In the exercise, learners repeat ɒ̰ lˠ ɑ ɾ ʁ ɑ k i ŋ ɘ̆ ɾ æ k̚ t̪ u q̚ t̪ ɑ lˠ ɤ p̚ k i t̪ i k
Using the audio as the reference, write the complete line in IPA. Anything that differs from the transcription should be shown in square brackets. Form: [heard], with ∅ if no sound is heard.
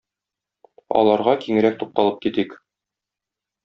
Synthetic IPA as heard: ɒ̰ lˠ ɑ ɾ ʁ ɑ k i ŋ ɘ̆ ɾ æ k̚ t̪ u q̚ t̪ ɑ lˠ ɤ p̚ k i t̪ i k